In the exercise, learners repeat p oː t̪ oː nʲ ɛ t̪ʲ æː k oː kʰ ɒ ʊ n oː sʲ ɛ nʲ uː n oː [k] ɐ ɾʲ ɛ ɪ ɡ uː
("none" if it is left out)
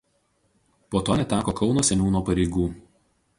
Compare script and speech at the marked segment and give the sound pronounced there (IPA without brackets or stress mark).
p